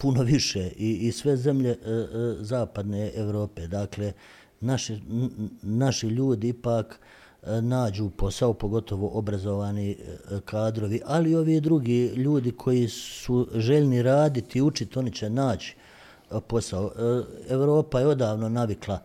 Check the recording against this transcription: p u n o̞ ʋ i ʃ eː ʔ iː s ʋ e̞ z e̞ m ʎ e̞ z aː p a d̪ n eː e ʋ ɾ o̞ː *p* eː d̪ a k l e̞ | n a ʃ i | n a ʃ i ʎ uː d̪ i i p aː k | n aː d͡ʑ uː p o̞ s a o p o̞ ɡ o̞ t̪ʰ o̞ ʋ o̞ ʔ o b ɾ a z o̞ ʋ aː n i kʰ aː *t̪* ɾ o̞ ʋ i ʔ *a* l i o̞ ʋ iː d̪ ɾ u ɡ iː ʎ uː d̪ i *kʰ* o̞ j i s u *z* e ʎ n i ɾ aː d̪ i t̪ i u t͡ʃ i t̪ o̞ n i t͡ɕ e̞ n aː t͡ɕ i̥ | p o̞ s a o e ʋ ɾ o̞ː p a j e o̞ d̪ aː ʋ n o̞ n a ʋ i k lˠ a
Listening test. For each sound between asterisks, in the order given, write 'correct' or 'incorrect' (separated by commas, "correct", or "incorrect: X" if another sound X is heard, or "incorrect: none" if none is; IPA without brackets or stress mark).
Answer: correct, incorrect: d̪, correct, correct, incorrect: ʒ